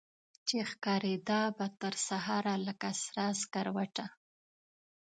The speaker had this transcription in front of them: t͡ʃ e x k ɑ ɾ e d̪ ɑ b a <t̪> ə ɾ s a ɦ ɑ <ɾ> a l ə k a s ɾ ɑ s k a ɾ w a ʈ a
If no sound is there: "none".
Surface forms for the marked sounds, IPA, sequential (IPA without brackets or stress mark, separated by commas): t̪, ɾ